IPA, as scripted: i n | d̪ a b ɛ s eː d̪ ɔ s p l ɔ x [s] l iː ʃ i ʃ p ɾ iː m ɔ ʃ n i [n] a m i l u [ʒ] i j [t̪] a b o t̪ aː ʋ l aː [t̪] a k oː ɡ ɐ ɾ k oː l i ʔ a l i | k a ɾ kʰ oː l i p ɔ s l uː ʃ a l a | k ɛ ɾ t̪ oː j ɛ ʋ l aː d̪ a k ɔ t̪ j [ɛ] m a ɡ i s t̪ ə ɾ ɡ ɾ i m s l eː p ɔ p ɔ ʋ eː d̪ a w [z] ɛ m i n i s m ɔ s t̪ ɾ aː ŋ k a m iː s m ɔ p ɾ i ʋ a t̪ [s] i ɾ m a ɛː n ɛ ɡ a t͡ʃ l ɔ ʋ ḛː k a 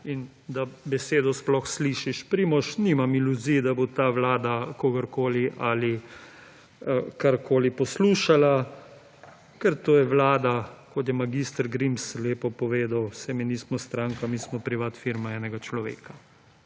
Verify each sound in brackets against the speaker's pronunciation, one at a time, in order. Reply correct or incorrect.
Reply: correct, incorrect: m, incorrect: z, incorrect: d̪, incorrect: d̪, correct, incorrect: s, incorrect: f

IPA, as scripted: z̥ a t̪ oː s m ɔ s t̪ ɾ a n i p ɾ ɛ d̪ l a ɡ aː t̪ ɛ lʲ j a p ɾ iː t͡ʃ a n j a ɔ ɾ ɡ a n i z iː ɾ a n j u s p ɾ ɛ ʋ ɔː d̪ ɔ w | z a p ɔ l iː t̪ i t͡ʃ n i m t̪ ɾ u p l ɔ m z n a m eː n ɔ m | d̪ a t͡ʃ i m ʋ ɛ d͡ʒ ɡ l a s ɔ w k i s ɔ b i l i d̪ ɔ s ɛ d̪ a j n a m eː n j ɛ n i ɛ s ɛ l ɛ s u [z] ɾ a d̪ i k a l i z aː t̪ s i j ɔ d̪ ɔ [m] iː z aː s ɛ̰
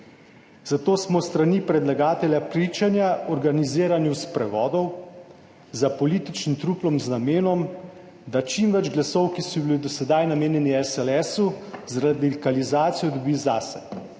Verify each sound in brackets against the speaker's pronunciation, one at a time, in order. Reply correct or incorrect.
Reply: correct, incorrect: b

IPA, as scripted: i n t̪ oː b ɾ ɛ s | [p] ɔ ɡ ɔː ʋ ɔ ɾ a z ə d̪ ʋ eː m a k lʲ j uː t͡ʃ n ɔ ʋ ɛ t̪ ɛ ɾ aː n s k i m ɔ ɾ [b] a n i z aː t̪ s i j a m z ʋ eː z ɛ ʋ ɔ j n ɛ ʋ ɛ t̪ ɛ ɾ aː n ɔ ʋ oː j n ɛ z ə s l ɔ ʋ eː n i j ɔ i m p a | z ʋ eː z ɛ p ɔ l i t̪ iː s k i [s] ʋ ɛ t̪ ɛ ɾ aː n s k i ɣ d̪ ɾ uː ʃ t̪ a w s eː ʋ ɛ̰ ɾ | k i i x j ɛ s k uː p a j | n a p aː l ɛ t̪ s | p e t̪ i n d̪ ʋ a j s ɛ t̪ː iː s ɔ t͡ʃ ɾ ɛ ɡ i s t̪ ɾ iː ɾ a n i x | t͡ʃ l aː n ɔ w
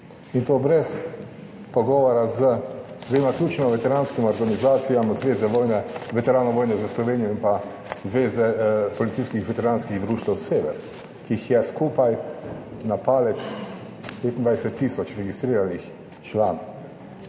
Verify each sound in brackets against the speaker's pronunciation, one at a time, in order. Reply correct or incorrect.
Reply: correct, incorrect: ɡ, incorrect: x

